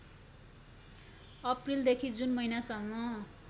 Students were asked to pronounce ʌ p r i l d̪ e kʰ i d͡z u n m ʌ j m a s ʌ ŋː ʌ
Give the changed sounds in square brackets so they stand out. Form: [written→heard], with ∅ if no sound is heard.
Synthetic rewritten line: ʌ p r i l d̪ e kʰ i d͡z u n m ʌ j [m→n] a s ʌ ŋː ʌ

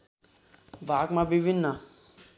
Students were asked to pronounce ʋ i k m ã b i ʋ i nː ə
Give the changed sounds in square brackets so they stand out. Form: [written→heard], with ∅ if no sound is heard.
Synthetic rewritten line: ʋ [i→a] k m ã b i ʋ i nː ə

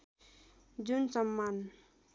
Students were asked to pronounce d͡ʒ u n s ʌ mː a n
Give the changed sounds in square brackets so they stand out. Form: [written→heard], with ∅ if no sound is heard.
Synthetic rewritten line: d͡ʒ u n s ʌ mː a n

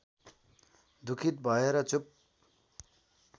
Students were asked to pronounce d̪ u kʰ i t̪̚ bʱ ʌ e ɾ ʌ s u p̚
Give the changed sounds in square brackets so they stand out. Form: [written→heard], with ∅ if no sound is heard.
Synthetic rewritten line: d̪ u kʰ i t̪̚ bʱ ʌ e ɾ ʌ [s→t͡s] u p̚

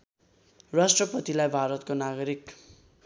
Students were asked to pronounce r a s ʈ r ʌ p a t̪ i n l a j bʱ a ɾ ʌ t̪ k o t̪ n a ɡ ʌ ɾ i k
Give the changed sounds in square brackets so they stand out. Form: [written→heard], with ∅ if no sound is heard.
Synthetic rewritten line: r a s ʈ r ʌ p [a→ʌ] t̪ i [n→∅] l a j bʱ a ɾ ʌ t̪ k o [t̪→∅] n a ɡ ʌ ɾ i k

